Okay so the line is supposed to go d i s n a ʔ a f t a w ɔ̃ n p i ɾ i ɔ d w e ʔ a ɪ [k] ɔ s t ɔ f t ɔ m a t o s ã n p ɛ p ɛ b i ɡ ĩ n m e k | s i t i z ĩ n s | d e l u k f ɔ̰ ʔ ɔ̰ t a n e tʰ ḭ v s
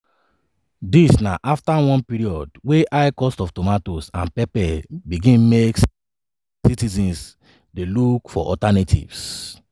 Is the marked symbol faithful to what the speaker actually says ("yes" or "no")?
yes